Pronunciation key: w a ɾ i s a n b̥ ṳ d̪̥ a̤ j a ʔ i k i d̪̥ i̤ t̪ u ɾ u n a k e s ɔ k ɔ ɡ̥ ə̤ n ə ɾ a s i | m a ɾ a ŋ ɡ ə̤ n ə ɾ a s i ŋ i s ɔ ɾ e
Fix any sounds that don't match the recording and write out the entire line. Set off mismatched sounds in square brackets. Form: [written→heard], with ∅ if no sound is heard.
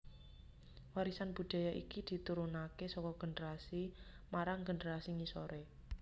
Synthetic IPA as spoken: w a ɾ i s a n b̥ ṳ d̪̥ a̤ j a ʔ i k i d̪̥ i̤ t̪ u ɾ u n a k e s ɔ k ɔ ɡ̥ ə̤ n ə ɾ a s i | m a ɾ a ŋ ɡ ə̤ n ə ɾ a s i ŋ i s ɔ ɾ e